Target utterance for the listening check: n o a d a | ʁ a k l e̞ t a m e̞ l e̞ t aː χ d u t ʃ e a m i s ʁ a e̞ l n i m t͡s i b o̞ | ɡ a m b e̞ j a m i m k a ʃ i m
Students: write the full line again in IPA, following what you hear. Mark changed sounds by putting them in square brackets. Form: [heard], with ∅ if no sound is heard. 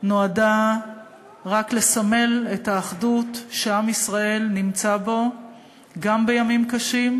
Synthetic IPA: n o a d a | ʁ a k l e̞ [s] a m e̞ l e̞ t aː χ d u t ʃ e a m i s ʁ a e̞ l n i m t͡s [a] b o̞ | ɡ a m b e̞ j a m i m k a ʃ i m